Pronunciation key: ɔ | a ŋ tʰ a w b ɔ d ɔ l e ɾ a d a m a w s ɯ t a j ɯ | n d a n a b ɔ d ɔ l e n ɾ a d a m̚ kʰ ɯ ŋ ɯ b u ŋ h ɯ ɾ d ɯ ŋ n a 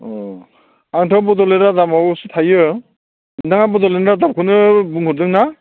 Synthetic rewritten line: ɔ | a ŋ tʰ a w b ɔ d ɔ l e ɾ a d a m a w s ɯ tʰ a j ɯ | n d a ŋ a b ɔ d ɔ l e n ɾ a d a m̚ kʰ ɯ n ɯ b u ŋ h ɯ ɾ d ɯ ŋ n a